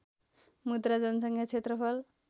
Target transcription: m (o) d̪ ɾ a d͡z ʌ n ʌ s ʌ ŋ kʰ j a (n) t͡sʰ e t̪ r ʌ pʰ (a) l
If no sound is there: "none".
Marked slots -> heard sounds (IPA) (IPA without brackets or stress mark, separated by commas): u, none, ʌ